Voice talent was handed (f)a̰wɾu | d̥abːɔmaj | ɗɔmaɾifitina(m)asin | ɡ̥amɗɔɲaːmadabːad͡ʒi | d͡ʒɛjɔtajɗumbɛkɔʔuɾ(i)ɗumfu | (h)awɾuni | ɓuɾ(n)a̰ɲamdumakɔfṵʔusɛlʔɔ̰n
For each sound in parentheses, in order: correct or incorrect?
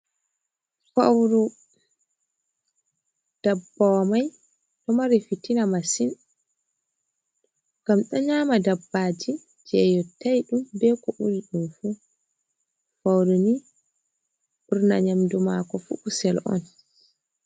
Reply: correct, correct, correct, incorrect, correct

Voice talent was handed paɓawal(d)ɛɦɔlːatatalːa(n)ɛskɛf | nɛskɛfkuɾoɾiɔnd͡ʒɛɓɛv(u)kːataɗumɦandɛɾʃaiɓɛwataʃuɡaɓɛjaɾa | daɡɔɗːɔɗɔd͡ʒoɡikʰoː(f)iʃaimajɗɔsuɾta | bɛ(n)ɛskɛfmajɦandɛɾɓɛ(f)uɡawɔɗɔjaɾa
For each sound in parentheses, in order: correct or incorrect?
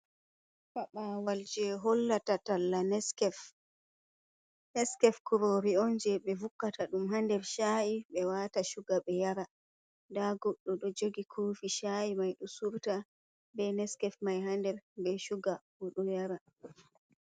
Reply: incorrect, correct, correct, correct, correct, incorrect

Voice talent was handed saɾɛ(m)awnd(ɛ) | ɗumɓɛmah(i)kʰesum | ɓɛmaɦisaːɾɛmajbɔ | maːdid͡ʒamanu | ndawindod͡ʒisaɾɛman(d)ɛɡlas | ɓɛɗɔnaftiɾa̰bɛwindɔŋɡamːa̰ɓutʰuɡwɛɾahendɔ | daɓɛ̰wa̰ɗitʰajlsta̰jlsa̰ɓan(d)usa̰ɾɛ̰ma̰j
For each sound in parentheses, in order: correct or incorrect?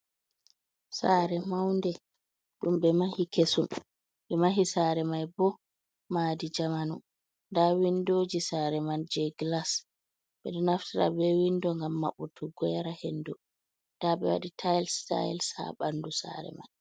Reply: correct, correct, correct, incorrect, correct

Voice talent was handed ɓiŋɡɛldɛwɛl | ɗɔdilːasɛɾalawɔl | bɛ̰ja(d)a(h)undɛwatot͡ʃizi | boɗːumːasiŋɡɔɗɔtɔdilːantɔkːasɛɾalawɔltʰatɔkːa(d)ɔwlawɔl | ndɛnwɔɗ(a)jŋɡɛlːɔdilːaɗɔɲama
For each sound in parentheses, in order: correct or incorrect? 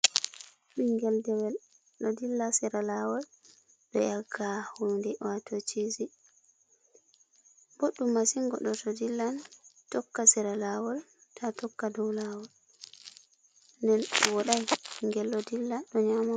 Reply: incorrect, correct, correct, correct

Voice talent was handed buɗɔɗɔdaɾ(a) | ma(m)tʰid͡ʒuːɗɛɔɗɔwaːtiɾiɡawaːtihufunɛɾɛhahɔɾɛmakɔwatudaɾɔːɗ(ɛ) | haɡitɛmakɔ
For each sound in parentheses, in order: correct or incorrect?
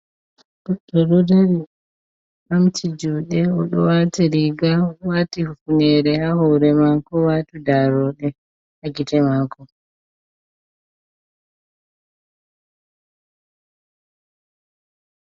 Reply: incorrect, correct, correct

